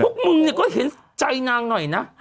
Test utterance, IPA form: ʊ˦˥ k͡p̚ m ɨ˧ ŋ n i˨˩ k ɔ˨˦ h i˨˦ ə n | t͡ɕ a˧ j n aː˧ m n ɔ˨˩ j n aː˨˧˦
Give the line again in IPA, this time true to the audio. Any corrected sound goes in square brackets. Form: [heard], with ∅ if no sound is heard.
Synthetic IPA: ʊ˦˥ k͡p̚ m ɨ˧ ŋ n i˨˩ k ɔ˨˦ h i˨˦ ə n | t͡ɕ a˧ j n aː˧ [ŋ] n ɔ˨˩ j n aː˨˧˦